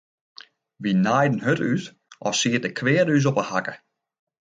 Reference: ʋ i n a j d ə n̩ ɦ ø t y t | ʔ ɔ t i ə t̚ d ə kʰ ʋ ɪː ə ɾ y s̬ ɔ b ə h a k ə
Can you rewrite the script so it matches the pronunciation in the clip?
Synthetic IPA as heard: ʋ i n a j d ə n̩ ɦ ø t y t | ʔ ɔ s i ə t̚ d ə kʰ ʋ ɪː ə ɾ y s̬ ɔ p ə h a k ə